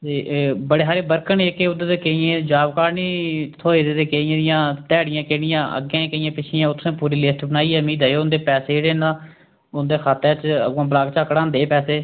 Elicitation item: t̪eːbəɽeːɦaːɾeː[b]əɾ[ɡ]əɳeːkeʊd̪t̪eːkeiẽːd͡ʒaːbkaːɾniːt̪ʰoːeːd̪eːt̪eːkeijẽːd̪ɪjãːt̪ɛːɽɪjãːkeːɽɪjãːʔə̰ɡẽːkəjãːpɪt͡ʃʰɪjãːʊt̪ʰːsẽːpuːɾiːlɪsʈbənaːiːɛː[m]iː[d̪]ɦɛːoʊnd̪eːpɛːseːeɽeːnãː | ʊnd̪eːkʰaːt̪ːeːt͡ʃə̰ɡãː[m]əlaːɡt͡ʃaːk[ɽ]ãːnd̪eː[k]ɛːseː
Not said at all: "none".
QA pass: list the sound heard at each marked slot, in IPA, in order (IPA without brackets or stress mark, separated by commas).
b, k, m, d̪, b, ɽ, p